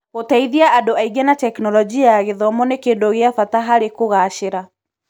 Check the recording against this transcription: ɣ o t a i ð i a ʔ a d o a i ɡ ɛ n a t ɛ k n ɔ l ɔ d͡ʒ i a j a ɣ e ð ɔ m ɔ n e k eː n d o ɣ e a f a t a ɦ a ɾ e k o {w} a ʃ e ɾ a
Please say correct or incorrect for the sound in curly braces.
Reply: incorrect: ɣ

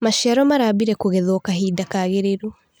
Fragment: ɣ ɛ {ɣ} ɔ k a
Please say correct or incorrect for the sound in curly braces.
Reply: incorrect: ð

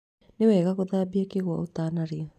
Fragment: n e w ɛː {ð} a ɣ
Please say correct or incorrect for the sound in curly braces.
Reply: incorrect: ɣ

